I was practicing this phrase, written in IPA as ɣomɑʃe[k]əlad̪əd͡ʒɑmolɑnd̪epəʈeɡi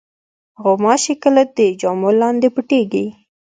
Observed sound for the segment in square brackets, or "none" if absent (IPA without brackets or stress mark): k